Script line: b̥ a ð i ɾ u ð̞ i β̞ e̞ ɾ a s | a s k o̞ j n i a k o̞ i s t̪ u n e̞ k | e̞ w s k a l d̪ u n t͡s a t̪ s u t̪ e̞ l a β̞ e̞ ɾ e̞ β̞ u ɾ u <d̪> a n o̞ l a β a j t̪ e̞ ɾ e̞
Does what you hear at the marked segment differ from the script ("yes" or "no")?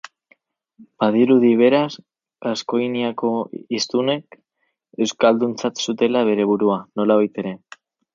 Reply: yes